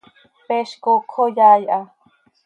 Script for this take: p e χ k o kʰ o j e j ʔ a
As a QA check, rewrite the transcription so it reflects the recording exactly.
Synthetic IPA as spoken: p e ʃ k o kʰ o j a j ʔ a

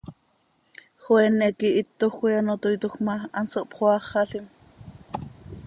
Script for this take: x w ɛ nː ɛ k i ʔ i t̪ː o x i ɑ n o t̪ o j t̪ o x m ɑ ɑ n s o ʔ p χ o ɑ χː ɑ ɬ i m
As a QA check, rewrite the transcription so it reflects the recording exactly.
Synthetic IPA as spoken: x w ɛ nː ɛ k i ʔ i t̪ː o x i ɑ n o t̪ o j t̪ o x m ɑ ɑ n s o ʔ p χ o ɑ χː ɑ ɬ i m

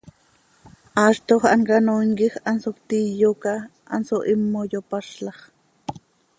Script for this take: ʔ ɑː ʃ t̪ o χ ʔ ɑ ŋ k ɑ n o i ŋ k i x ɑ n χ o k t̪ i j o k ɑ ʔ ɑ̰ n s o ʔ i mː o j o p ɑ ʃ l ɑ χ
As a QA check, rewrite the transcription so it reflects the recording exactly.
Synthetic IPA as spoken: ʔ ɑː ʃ t̪ o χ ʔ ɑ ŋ k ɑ n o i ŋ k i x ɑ n s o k t̪ i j o k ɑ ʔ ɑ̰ n s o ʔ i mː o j o p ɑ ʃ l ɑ χ

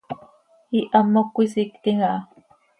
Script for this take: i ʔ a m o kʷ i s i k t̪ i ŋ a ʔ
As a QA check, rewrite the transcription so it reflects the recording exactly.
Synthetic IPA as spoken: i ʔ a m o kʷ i s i k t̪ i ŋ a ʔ

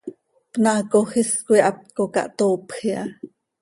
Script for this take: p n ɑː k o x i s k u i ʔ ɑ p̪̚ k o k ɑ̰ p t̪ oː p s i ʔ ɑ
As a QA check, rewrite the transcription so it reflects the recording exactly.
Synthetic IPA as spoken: p n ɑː k o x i s k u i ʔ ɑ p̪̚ k o k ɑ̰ ʔ t̪ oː p x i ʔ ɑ

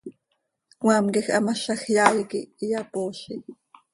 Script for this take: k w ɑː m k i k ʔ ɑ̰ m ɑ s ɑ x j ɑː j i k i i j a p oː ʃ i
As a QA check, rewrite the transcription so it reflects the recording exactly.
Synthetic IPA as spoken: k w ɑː m k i x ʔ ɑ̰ m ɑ ʃ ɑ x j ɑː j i k i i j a p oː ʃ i

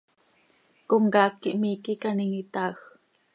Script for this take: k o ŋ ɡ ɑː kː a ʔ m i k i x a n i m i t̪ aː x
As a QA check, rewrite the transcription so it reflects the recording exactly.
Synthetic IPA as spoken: k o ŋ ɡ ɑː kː i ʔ m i k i k a n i ŋ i t̪ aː x

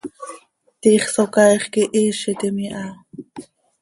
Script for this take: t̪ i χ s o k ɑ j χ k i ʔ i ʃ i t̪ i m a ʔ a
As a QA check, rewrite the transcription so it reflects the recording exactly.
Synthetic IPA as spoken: t̪ i χ s o k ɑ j χ k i ʔ i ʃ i t̪ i m i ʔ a

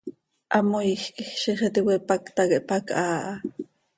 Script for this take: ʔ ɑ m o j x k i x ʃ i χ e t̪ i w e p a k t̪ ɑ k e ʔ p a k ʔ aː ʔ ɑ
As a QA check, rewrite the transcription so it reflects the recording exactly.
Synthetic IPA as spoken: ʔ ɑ m o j x k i x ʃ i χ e t̪ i w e p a k t̪ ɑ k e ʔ p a k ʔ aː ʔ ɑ

